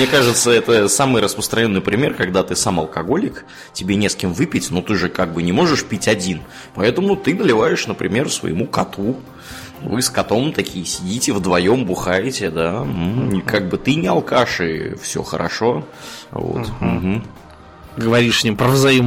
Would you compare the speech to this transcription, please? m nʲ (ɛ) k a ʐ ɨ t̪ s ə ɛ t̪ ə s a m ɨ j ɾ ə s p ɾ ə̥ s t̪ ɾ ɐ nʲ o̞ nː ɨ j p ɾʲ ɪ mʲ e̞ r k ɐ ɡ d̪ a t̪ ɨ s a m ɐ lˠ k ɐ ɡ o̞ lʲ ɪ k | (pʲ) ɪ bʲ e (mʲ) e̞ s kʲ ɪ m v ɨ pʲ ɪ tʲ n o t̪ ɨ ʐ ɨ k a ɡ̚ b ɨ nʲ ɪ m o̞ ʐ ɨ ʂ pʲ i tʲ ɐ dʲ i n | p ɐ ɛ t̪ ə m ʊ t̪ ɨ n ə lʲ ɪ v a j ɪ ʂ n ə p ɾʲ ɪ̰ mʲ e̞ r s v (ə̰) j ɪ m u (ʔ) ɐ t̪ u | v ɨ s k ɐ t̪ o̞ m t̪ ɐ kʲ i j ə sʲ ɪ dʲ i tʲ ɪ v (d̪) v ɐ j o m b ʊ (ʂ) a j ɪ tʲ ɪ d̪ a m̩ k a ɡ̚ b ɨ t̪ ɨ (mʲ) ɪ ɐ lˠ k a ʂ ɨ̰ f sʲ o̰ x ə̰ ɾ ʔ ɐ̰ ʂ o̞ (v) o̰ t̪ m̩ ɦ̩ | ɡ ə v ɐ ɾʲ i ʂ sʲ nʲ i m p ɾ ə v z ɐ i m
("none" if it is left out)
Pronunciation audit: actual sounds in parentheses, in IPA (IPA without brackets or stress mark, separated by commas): e, tʲ, nʲ, ə̰, k, d̪, x, nʲ, v